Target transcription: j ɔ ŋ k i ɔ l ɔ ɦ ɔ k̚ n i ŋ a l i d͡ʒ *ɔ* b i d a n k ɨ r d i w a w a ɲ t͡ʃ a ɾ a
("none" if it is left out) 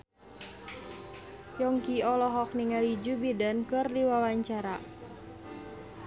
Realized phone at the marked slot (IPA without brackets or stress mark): u